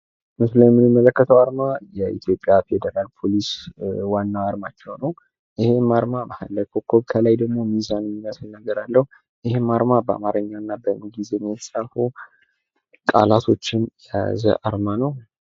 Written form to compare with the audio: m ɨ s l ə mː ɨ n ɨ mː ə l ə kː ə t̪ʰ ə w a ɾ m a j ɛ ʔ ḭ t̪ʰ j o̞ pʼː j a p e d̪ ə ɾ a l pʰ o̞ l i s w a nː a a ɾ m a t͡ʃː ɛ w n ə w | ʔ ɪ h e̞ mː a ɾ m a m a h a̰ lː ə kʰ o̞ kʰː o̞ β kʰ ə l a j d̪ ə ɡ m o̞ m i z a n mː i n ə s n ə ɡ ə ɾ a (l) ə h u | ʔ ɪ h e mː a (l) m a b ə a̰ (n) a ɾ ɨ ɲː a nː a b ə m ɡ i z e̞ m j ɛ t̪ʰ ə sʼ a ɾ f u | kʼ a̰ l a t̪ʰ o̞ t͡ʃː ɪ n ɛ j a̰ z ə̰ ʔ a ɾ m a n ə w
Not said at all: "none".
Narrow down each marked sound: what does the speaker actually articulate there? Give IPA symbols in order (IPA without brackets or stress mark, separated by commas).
lː, ɾ, m